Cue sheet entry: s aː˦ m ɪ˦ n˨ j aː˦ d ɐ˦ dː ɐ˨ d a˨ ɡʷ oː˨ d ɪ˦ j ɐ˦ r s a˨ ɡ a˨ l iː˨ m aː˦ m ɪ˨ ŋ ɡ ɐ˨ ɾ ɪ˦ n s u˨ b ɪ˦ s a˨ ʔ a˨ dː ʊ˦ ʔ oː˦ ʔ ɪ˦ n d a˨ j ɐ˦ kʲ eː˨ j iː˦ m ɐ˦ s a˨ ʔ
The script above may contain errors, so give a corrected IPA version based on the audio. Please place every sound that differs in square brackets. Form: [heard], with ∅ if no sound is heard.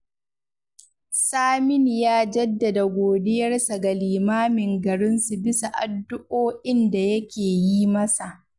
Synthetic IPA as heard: s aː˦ m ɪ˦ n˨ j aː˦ [d͡ʒ] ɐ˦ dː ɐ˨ d a˨ ɡʷ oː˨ d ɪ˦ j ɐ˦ r s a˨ ɡ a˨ l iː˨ m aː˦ m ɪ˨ ŋ ɡ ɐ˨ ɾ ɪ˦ n s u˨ b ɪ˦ s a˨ ʔ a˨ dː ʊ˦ ʔ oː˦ ʔ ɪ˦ n d a˨ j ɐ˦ kʲ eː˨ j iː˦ m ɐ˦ s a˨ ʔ